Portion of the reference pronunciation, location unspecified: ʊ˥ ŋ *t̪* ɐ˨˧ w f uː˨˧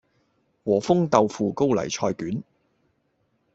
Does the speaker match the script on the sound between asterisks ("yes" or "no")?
yes